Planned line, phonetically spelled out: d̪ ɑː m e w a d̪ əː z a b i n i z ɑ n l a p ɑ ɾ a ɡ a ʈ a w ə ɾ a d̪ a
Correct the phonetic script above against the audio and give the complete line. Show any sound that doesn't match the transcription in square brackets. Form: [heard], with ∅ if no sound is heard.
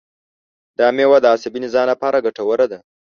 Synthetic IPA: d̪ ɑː m e w a d̪ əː [s] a b i n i z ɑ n l a p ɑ ɾ a ɡ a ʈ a w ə ɾ a d̪ a